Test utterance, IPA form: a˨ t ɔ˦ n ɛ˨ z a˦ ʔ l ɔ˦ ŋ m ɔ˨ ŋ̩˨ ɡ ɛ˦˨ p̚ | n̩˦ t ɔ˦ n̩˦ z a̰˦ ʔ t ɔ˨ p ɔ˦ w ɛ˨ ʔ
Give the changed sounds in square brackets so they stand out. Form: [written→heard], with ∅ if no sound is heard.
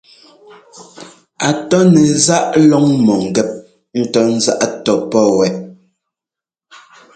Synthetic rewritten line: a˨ t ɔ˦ n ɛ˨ z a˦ ʔ l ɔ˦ ŋ m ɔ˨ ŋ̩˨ ɡ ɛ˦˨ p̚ | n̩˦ t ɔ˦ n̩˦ z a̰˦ ʔ t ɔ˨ p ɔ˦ w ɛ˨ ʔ